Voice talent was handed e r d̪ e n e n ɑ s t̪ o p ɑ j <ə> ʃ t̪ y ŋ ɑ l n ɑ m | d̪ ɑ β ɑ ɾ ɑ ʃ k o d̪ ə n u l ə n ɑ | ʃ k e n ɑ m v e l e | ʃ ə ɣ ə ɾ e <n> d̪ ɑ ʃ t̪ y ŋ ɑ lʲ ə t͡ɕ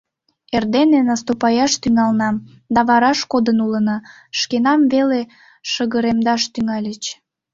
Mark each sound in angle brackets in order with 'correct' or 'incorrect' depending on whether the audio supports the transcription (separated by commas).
incorrect, incorrect